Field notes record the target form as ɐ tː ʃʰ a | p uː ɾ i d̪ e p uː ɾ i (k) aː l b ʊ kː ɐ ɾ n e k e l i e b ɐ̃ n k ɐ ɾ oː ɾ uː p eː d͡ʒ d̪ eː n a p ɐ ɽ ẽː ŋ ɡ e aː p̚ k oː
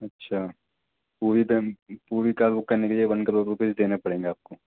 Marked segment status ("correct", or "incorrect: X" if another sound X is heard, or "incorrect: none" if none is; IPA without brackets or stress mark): correct